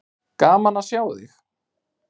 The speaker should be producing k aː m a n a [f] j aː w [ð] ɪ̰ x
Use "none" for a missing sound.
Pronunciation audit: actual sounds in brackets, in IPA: s, ð

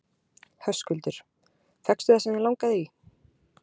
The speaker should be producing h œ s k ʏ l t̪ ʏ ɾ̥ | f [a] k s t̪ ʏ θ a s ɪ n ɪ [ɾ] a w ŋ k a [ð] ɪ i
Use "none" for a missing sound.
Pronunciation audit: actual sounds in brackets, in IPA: ɛ, l, ð

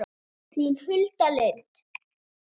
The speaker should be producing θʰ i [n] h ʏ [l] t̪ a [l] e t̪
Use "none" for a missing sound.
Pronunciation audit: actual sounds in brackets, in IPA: n, l, l

